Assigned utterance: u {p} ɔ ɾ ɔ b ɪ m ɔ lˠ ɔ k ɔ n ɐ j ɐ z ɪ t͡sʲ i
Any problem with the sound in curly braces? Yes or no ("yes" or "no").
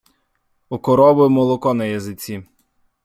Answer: yes